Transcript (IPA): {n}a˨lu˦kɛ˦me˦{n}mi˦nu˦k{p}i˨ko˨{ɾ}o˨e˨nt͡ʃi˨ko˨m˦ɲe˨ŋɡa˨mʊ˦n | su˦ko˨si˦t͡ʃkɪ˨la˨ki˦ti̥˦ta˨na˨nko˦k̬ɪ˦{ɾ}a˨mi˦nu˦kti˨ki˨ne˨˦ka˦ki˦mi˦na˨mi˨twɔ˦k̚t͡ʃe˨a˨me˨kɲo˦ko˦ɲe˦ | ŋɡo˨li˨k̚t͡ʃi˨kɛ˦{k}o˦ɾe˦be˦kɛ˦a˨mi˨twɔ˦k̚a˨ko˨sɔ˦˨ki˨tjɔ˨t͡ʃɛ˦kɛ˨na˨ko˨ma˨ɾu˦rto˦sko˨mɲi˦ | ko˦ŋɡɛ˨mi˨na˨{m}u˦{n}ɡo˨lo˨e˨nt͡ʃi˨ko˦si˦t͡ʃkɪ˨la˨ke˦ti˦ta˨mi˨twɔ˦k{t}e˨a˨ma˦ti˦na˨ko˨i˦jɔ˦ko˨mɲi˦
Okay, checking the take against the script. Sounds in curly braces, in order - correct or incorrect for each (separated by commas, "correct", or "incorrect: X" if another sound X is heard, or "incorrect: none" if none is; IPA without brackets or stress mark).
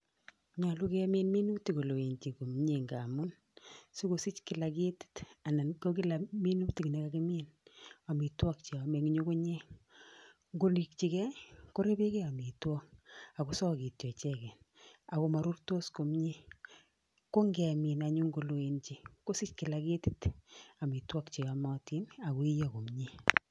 incorrect: ɲ, correct, incorrect: t, incorrect: l, incorrect: l, correct, incorrect: ɲ, incorrect: ŋ, incorrect: t͡ʃ